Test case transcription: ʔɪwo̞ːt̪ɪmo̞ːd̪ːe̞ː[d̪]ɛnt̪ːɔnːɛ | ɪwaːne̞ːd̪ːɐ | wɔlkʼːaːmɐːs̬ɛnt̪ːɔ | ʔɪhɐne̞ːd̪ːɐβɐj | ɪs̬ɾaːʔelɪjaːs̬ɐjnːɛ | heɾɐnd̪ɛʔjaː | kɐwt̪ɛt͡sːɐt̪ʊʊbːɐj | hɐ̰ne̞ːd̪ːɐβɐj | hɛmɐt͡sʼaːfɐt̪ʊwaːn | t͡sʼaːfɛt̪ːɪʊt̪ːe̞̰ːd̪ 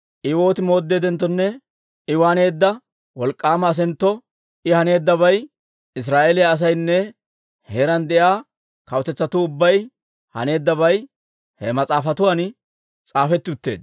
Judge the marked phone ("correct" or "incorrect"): correct